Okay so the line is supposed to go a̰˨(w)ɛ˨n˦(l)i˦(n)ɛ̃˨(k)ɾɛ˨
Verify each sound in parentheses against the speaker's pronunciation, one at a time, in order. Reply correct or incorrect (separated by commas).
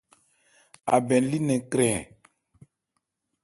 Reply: incorrect, correct, correct, correct